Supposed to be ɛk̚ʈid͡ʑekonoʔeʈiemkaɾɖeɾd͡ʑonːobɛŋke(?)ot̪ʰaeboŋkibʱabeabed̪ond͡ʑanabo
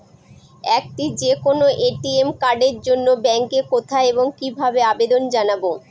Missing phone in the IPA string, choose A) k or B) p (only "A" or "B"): A